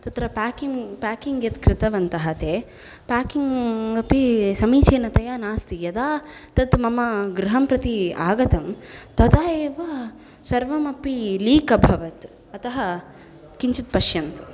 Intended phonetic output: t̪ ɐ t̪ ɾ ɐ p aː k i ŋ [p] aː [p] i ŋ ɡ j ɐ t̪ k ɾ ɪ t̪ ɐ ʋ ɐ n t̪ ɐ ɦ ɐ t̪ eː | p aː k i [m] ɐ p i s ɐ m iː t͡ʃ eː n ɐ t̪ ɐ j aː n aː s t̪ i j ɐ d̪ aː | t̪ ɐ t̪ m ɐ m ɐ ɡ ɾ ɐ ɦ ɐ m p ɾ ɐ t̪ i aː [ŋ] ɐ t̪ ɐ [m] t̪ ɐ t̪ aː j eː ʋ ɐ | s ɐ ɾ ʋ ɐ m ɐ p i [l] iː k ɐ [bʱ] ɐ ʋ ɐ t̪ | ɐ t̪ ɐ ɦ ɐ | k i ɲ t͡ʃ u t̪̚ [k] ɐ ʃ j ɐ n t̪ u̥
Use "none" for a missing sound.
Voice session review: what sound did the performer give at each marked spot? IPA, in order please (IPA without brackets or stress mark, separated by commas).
p, k, ŋ, ɡ, m, l, bʱ, p